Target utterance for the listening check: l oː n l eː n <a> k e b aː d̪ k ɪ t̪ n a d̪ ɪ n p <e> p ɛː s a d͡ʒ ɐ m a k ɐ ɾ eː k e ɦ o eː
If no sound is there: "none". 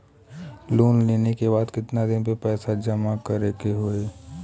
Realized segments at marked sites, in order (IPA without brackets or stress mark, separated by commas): e, e